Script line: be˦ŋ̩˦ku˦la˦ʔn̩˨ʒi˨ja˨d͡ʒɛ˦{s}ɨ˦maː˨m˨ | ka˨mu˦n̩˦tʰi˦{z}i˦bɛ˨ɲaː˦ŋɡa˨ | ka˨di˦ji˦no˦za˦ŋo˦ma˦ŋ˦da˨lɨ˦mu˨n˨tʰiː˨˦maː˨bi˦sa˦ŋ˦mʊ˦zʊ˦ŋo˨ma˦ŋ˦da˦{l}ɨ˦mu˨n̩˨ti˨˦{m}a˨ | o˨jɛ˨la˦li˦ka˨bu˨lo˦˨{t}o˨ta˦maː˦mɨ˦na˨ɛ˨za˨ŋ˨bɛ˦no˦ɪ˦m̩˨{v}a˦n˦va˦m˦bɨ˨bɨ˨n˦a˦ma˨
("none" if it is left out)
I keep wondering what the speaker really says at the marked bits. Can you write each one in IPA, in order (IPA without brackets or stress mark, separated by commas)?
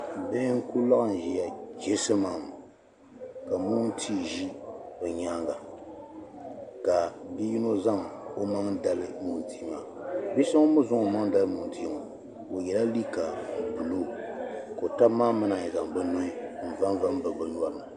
s, ʒ, l, m, k, v